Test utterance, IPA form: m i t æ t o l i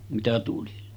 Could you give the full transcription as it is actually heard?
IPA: m i t æ t u l i